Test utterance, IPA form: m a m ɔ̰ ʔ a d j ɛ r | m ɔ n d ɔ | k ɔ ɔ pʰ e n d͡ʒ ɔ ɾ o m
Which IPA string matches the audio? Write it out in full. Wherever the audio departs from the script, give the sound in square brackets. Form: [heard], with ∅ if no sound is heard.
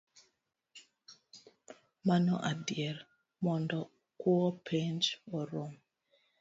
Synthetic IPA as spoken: m a [n] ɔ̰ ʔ a d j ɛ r | m ɔ n d ɔ | k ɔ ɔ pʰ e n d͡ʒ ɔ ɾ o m